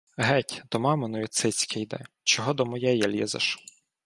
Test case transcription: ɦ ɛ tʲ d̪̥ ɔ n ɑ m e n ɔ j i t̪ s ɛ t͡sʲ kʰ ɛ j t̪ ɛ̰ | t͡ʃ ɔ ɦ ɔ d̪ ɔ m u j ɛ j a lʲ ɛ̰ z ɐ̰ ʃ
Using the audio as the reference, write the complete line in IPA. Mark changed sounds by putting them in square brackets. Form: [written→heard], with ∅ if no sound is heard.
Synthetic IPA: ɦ ɛ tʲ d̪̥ ɔ [n→m] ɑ m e n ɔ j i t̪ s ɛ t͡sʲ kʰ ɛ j [t̪→d̪] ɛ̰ | t͡ʃ ɔ ɦ ɔ d̪ ɔ m [u→ɔ] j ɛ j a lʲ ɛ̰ z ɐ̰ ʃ